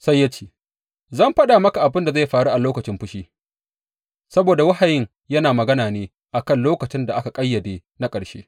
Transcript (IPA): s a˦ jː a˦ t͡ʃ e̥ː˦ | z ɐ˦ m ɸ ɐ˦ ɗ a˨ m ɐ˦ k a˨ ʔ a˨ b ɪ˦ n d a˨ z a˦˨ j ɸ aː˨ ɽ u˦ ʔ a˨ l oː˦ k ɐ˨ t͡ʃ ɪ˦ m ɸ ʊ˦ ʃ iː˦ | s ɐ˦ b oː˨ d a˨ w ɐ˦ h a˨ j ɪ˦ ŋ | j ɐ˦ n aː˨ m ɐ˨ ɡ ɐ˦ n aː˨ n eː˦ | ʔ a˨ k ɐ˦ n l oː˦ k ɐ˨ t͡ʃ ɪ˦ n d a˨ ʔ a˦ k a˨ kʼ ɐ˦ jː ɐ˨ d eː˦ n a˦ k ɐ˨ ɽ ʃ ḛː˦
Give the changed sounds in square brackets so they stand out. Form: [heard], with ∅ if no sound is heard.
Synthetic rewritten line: s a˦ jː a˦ t͡ʃ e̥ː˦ | z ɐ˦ m ɸ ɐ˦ ɗ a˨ m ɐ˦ k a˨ ʔ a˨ b ɪ˦ n d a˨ z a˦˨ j ɸ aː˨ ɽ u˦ ʔ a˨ l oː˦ k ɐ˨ t͡ʃ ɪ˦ m ɸ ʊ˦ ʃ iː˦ | s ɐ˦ b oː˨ d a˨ w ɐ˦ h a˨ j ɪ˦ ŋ | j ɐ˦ n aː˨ m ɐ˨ ɡ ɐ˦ n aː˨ n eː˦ | ʔ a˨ k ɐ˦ n l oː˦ k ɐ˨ t͡ʃ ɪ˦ n d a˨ ʔ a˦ k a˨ kʼ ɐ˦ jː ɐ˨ d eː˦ n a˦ [kʼ] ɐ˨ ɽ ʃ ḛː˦

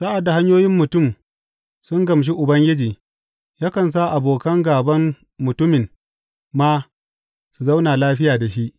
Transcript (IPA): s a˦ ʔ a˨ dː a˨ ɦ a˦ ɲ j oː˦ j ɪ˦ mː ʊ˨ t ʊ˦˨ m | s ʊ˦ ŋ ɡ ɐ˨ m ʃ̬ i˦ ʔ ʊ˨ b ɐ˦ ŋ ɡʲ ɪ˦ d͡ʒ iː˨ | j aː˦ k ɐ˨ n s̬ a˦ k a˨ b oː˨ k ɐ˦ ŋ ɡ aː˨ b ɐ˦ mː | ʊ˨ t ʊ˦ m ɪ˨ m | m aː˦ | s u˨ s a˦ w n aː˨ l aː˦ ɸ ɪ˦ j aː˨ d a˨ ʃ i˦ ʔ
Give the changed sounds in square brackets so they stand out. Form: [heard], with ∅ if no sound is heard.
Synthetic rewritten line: s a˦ ʔ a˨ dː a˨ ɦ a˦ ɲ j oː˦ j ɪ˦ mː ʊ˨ t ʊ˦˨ m | s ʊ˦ ŋ ɡ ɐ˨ m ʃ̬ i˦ ʔ ʊ˨ b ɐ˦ ŋ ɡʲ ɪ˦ d͡ʒ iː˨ | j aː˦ k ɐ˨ n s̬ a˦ [ʔ] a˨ b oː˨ k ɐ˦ ŋ ɡ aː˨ b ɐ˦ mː | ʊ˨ t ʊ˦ m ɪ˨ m | m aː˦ | s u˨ [z] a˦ w n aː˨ l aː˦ ɸ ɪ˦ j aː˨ d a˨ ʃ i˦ ʔ

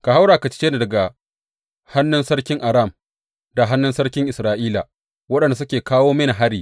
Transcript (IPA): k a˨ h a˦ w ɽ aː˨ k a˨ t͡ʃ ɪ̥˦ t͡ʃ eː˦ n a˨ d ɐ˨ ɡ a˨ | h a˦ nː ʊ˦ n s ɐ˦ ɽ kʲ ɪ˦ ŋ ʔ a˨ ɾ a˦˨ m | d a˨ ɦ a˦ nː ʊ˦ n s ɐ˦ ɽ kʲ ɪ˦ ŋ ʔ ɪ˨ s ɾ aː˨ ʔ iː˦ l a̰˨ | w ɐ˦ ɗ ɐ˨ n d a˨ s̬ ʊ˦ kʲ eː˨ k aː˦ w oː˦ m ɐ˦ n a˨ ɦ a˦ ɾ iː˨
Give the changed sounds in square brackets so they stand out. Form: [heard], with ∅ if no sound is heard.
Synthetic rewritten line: k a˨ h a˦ w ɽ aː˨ k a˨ t͡ʃ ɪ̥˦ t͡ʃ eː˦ n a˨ d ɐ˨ ɡ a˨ | h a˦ nː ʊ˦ n s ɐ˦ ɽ kʲ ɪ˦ ŋ ʔ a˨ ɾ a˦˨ m | d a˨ ɦ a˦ nː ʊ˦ n s ɐ˦ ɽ kʲ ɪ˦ ŋ ʔ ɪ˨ s ɾ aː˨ ʔ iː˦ l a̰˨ | w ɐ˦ ɗ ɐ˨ n d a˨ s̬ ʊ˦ kʲ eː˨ k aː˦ w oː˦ m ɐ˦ n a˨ ɦ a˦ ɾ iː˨

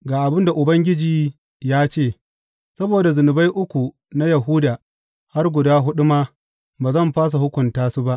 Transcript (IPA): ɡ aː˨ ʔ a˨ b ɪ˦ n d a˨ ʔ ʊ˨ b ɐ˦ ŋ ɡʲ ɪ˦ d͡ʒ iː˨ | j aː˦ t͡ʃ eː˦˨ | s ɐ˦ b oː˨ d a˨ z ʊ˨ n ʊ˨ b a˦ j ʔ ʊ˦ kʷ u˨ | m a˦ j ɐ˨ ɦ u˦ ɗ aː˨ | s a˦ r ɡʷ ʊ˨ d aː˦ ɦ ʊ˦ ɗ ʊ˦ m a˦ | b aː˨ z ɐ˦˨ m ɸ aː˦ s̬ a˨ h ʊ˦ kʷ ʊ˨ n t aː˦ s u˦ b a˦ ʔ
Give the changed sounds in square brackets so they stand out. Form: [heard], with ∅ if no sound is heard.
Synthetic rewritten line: ɡ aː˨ ʔ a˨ b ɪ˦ n d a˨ ʔ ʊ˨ b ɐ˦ ŋ ɡʲ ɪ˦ d͡ʒ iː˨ | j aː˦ t͡ʃ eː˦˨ | s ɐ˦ b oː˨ d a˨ z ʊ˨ n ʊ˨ b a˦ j ʔ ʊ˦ kʷ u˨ | [n] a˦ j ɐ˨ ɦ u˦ [d] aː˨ | [h] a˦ r ɡʷ ʊ˨ d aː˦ ɦ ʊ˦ ɗ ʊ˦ m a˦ | b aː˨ z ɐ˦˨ m ɸ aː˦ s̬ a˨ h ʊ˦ kʷ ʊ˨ n t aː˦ s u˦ b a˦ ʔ

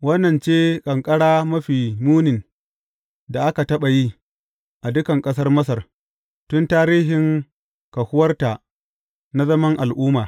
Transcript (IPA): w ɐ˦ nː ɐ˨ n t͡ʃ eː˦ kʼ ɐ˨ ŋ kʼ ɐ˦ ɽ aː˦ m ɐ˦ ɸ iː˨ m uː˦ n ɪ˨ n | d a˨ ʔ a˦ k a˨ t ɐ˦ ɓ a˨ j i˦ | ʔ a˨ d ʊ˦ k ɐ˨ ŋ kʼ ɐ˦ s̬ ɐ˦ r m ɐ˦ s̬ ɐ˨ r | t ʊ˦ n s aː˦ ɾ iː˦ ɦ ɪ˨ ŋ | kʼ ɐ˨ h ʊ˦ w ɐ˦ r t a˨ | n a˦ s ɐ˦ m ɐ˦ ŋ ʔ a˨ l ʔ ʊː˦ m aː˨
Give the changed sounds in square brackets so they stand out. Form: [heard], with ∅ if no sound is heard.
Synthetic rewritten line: w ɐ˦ nː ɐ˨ n t͡ʃ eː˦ kʼ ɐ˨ ŋ kʼ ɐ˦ ɽ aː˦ m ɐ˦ ɸ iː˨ m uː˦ n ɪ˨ n | d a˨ ʔ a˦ k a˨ t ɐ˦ ɓ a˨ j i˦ | ʔ a˨ d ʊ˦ k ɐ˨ ŋ kʼ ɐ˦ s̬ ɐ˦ r m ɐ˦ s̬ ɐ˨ r | t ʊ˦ n [t] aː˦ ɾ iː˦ ɦ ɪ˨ ŋ | [k] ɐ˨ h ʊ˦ w ɐ˦ r t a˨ | n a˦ [z] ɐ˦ m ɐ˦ ŋ ʔ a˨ l ʔ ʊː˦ m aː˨

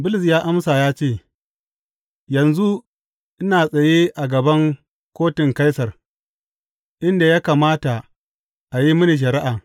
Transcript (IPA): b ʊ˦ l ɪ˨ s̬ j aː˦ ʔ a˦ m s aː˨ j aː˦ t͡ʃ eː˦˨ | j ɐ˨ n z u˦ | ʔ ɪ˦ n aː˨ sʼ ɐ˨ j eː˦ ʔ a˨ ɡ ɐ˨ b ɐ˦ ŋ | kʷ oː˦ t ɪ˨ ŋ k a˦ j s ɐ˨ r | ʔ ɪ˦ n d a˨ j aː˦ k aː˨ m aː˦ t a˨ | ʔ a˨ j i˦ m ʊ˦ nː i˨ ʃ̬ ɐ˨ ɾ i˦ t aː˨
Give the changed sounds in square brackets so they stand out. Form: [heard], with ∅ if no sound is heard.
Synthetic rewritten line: b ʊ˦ l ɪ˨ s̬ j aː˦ ʔ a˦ m s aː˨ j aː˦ t͡ʃ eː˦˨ | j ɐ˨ n z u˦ | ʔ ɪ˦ n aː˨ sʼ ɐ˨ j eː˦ ʔ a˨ ɡ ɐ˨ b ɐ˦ ŋ | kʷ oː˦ t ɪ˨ ŋ k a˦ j s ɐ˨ r | ʔ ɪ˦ n d a˨ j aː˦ k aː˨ m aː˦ t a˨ | ʔ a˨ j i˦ m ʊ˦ [n] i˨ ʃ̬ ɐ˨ ɾ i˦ [ʔ] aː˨

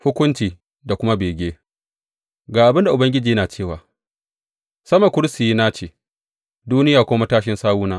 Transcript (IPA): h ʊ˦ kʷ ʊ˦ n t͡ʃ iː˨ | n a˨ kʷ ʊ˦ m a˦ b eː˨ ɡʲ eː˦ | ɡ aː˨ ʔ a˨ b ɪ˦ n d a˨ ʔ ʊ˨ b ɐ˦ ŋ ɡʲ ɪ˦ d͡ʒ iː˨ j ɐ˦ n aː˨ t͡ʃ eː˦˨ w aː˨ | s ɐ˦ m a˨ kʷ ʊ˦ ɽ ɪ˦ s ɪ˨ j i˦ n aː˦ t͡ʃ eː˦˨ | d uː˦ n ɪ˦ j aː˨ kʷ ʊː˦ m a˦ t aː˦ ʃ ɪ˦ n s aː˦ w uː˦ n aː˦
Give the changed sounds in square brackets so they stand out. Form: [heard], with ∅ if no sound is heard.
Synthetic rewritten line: h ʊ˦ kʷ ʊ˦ n t͡ʃ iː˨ | [d] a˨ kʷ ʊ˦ m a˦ b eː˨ ɡʲ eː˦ | ɡ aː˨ ʔ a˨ b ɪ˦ n d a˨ ʔ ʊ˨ b ɐ˦ ŋ ɡʲ ɪ˦ d͡ʒ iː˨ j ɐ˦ n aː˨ t͡ʃ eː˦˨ w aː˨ | s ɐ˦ m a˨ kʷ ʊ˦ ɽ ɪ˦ s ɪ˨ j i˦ n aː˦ t͡ʃ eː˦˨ | d uː˦ n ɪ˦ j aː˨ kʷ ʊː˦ m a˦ t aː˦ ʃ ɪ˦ n s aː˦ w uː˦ n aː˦

